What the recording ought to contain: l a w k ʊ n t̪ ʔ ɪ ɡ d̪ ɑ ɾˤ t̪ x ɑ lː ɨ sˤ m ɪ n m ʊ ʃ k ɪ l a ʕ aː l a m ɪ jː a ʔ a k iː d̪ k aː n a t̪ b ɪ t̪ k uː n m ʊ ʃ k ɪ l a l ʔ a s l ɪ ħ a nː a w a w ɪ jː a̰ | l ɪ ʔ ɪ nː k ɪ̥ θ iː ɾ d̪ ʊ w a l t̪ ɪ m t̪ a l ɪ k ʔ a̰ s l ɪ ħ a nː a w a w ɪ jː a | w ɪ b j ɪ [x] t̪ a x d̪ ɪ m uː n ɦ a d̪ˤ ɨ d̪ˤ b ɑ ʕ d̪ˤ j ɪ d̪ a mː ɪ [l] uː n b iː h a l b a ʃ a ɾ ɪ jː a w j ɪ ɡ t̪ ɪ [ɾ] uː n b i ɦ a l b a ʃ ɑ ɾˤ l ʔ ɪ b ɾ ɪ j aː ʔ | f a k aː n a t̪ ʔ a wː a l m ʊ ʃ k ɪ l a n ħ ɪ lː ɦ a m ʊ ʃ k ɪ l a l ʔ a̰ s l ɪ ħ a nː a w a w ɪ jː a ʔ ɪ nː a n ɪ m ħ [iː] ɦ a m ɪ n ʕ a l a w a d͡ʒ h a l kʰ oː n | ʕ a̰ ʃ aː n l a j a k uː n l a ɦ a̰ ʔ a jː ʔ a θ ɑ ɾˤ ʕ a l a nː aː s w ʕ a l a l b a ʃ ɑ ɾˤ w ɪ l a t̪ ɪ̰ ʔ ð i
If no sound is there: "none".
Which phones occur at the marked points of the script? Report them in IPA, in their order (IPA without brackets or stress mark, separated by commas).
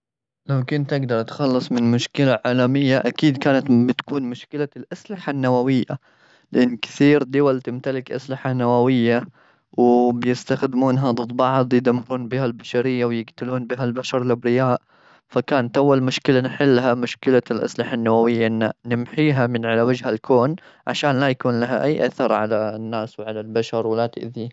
s, ɾ, l, iː